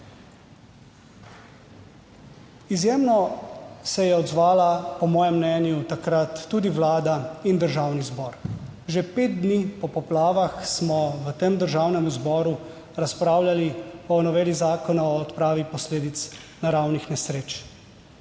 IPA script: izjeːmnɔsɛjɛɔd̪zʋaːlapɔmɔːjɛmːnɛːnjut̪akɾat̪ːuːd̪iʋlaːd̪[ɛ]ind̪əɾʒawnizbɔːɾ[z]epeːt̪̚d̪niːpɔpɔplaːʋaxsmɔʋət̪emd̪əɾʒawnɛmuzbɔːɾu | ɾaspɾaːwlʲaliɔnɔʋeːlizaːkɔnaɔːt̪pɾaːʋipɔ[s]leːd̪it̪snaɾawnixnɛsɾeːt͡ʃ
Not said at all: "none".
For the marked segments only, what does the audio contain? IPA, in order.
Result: a, ʒ, s

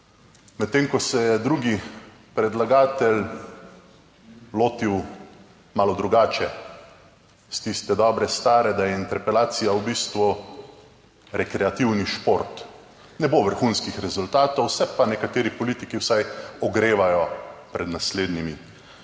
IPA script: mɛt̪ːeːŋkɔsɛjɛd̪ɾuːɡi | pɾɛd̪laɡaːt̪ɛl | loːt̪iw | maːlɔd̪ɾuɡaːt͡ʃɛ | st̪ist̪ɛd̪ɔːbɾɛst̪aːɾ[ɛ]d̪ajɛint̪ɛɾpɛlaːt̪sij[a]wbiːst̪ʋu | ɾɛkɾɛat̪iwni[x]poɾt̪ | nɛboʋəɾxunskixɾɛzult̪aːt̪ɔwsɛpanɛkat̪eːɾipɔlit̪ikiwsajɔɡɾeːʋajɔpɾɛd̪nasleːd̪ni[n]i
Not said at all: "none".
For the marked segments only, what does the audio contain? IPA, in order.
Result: ɛ, a, ʃ, m

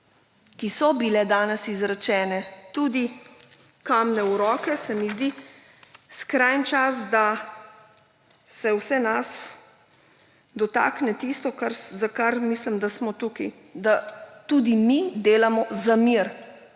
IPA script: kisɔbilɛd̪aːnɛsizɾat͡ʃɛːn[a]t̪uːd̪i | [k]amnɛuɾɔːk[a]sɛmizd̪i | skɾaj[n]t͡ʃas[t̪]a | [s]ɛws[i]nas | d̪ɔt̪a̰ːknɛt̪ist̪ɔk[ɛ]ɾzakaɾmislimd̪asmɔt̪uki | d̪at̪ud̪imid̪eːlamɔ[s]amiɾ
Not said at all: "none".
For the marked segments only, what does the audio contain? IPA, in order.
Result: ɛ, k, ɛ, n, d̪, s, ɛ, a, z

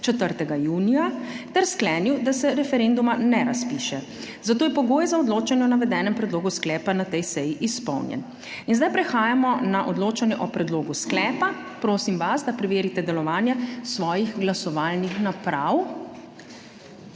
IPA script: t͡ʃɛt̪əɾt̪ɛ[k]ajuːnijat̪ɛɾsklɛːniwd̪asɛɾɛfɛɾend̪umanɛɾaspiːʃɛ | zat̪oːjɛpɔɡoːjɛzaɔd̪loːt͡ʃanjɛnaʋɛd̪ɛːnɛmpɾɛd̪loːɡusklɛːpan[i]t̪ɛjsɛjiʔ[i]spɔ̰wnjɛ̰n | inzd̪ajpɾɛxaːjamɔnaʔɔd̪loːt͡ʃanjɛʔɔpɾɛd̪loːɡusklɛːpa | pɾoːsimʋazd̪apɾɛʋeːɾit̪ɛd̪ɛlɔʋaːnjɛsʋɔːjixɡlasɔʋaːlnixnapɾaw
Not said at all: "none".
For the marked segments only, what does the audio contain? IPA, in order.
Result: ɡ, a, i

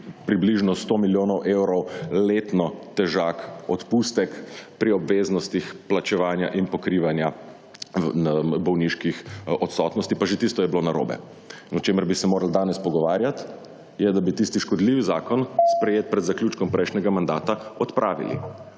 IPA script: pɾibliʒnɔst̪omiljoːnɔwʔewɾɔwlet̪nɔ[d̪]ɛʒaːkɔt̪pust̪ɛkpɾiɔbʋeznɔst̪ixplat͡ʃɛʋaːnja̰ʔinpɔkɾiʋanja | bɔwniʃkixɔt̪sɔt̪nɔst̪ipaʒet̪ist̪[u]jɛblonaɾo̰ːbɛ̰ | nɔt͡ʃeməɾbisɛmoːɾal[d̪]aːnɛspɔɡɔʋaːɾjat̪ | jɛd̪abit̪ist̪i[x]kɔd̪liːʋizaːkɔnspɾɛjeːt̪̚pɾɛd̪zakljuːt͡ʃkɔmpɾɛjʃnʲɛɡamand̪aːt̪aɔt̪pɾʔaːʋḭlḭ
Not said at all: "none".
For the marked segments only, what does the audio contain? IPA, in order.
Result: t̪, ɔ, d̪, ʃ

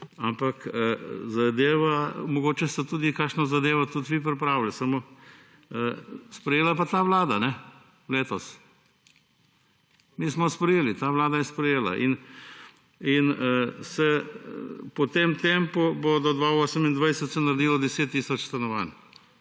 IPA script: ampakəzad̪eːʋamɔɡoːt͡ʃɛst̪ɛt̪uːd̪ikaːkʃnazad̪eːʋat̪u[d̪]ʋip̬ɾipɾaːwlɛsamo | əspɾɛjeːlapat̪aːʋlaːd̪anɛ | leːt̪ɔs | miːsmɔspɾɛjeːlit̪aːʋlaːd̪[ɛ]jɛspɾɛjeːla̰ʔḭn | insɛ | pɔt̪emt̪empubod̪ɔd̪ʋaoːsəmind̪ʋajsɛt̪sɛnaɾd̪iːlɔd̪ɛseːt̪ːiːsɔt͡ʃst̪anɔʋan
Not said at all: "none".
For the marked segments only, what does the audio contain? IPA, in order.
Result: t̪, a

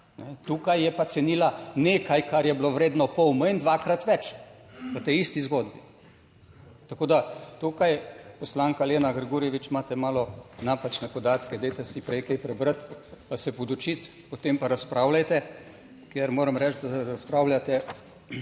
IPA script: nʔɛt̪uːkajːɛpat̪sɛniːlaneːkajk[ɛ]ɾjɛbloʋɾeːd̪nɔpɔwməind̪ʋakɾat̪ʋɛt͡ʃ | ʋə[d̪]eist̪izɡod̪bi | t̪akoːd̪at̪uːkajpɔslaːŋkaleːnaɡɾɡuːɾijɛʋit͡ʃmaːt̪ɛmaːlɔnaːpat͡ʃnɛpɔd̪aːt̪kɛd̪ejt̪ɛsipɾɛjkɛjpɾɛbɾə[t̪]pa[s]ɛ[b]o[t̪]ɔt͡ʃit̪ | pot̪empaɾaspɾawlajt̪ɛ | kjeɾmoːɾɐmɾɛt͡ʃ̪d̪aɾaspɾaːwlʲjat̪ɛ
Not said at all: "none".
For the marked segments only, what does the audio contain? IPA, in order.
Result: a, t̪, t̪, s, p, d̪

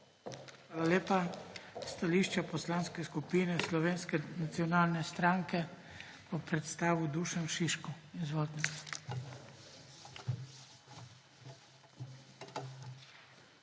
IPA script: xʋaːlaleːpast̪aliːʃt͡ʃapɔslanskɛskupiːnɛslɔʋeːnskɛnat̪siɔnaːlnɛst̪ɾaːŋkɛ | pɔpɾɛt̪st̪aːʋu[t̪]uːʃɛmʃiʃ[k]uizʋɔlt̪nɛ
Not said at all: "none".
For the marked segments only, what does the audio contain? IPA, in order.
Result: d̪, k

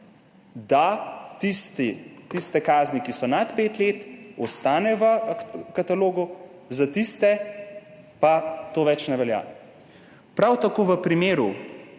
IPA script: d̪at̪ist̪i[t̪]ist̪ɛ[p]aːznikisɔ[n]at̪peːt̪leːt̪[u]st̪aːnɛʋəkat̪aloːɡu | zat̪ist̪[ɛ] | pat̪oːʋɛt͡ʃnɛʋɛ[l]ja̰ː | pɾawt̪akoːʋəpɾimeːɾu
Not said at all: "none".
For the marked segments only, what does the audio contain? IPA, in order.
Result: t̪, k, n, ɔ, ɛ, l

